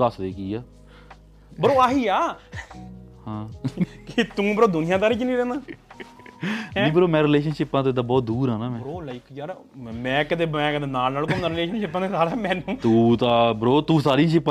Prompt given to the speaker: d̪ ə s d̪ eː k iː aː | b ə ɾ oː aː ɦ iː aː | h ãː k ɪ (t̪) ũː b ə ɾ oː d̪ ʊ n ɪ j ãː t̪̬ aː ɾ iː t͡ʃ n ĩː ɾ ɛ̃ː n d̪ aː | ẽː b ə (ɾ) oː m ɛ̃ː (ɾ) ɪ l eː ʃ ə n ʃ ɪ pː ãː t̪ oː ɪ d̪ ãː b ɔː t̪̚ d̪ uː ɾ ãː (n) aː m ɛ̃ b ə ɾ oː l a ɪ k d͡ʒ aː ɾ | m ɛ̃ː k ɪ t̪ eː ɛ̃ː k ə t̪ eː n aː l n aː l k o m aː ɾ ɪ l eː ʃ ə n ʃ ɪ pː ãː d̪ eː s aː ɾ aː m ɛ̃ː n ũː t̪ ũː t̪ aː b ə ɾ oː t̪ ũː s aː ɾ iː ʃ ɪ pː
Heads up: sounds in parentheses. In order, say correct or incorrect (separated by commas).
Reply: correct, correct, correct, correct